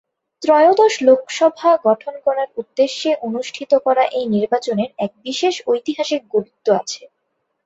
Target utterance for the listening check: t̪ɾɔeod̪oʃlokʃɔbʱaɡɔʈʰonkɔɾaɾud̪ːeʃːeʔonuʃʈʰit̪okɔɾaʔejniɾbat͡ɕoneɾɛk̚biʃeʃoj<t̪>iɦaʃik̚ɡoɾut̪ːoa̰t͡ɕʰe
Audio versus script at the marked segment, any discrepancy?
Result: no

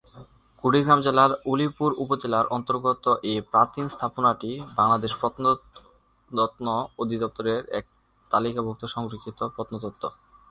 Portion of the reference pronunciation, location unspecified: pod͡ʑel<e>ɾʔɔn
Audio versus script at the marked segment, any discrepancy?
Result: yes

